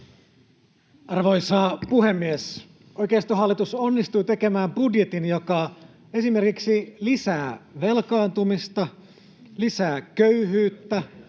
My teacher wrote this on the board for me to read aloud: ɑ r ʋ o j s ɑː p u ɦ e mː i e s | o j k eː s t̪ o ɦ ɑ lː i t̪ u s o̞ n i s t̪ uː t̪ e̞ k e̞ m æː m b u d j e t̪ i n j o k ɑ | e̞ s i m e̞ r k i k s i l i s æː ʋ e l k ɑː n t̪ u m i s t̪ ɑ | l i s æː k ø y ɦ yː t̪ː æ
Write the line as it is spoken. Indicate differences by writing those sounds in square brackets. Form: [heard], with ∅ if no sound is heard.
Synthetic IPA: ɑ r ʋ o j s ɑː p u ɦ e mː i e s | o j k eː s t̪ o ɦ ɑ lː i t̪ u s o̞ [nː] i s t̪ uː t̪ e̞ k e̞ m æː m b u d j e t̪ i n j o k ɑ | e̞ s i m e̞ r k i k s i l i s æː ʋ e l k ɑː n t̪ u m i s t̪ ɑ | l i s æː k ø y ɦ yː t̪ː æ